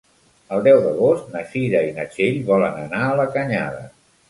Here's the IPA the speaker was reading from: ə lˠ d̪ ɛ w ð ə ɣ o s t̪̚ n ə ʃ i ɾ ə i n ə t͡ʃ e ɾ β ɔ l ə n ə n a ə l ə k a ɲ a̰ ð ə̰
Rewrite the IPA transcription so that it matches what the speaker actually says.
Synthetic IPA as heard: ə lˠ d̪ ɛ w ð ə ɣ o s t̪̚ n ə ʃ i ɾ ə i n ə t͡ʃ e ʎ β ɔ l ə n ə n a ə l ə k ə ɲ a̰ ð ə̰